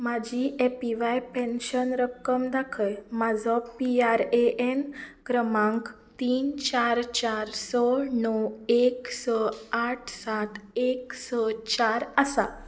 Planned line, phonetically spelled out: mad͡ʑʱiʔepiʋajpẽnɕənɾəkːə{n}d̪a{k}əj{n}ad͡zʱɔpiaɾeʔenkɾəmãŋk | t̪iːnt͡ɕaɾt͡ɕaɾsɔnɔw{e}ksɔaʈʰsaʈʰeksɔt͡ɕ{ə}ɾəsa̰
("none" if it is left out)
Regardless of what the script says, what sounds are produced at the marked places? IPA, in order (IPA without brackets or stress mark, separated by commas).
m, kʰ, m, e, a